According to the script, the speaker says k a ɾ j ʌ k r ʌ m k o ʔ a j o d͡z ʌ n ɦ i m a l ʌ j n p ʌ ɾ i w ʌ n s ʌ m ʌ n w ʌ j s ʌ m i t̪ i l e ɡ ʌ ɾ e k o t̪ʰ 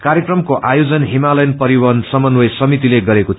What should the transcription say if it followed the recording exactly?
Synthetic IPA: k a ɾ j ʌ k r ʌ m k o ʔ a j o d͡z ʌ n ɦ i m a l ʌ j n p ʌ ɾ i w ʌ n s ʌ m ʌ n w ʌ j s ʌ m i t̪ i l e ɡ ʌ ɾ e k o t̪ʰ